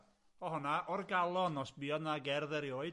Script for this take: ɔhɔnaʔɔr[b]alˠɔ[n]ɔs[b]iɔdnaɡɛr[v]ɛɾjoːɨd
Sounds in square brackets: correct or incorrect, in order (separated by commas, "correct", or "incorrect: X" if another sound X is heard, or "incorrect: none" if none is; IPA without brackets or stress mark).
incorrect: ɡ, correct, correct, incorrect: ð